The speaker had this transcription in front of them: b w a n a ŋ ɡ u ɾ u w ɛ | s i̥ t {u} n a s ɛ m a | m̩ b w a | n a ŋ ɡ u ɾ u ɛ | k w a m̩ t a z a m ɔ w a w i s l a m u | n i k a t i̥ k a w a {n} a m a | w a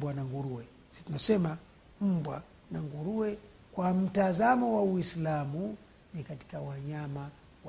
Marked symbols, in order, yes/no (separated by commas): yes, no